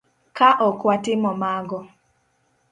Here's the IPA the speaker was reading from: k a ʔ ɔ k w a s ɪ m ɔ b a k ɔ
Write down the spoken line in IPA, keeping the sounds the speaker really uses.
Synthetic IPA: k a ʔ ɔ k w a t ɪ m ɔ m a ɡ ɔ